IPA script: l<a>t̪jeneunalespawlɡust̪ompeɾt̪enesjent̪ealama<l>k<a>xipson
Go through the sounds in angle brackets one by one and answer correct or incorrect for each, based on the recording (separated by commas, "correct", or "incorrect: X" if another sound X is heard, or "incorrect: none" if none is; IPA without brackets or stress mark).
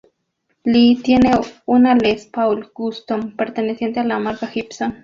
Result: incorrect: i, incorrect: ɾ, correct